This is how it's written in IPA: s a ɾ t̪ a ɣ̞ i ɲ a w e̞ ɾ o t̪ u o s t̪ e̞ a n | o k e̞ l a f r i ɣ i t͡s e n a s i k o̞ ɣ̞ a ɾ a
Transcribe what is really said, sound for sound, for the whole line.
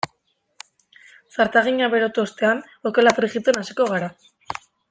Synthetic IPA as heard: s a ɾ t̪ a ɣ̞ i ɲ a β e̞ ɾ o t̪ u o s t̪ e̞ a n | o k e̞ l a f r i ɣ i t͡s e n a s i k o̞ ɣ̞ a ɾ a